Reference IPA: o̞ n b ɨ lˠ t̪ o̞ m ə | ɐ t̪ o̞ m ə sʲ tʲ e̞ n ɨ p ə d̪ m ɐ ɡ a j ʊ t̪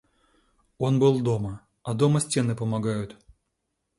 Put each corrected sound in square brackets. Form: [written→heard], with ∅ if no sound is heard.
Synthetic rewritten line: o̞ n b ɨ lˠ [t̪→d̪] o̞ m ə | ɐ [t̪→d̪] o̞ m ə sʲ tʲ e̞ n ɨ p ə [d̪→∅] m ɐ ɡ a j ʊ t̪